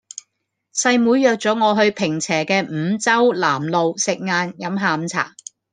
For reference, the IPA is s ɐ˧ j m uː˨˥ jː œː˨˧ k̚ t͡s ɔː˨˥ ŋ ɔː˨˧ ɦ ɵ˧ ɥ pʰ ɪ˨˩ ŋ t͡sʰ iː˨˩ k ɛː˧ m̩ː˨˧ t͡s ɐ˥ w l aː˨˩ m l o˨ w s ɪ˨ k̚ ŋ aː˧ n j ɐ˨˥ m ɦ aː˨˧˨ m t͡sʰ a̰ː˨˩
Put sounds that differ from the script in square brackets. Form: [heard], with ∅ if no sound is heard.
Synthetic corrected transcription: s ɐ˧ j m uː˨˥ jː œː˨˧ k̚ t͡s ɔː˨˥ ŋ ɔː˨˧ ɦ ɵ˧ ɥ pʰ ɪ˨˩ ŋ t͡sʰ [ɛː˨˩] k ɛː˧ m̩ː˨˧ t͡s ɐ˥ w l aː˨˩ m l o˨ w s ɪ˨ k̚ ŋ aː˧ n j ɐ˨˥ m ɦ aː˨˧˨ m t͡sʰ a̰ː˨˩